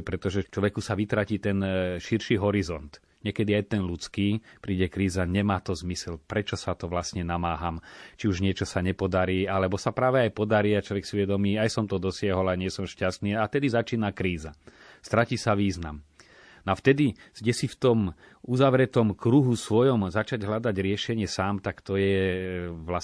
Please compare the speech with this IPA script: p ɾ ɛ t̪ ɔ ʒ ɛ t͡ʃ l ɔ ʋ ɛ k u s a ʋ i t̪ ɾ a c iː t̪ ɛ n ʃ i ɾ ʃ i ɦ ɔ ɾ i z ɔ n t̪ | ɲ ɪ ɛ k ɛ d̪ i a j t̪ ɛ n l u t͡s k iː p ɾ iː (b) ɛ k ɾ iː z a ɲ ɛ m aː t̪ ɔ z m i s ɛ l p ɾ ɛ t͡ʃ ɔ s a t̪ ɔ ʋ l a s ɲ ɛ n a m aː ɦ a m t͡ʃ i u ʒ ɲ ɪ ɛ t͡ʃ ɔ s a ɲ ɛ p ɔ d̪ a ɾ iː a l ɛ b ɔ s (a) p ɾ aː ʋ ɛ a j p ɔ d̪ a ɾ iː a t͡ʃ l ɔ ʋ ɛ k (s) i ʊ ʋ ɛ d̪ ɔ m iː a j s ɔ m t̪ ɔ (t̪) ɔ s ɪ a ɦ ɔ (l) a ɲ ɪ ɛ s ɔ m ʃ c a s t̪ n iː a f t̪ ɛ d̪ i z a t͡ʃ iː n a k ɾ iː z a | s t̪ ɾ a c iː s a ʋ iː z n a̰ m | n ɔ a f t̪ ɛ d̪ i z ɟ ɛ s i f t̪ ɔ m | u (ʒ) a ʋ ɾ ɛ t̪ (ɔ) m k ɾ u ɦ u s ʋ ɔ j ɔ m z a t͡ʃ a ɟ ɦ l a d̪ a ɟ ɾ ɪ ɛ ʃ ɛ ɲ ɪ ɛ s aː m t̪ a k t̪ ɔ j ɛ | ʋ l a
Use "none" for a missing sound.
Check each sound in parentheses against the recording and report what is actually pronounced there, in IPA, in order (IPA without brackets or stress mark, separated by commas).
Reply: ɟ, a, s, d̪, l, z, ɔ